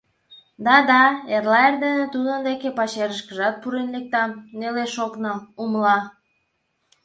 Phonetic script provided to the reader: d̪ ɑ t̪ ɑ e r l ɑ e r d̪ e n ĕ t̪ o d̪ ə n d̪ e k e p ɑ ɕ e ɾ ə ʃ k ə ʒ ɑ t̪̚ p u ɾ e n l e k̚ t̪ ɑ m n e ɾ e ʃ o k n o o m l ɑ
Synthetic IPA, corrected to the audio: d̪ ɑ d̪ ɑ e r l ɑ e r d̪ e n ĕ t̪ u d̪ ə n d̪ e k e p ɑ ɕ e ɾ ə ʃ k ə ʒ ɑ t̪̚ p u ɾ e n l e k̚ t̪ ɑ m n e l e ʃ o k n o u m l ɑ